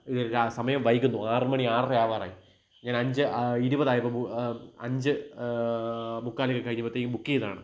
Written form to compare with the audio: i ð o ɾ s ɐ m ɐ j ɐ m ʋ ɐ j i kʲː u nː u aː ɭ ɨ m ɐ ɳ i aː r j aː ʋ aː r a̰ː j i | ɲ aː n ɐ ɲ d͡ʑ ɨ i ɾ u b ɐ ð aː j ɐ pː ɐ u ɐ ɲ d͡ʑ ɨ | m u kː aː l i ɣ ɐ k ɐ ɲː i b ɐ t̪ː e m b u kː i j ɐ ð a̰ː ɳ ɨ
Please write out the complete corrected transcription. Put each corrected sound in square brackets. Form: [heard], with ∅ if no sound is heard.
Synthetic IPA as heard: i ð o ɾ s ɐ m ɐ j ɐ m ʋ ɐ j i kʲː u nː u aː [r] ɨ m ɐ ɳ i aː r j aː ʋ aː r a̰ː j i | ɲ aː n ɐ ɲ d͡ʑ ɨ i ɾ u b ɐ ð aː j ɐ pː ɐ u ɐ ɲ d͡ʑ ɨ | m u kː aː l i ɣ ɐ k ɐ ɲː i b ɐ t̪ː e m b u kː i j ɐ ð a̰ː ɳ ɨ